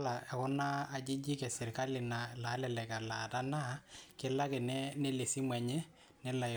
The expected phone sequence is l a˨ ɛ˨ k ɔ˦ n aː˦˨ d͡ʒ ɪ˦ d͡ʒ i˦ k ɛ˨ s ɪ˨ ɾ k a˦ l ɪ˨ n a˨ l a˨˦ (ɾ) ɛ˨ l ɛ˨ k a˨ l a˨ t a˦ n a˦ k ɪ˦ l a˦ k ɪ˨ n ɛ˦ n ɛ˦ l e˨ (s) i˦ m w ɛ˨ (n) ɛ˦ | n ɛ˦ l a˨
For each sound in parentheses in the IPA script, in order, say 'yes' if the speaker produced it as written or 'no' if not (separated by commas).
no, yes, no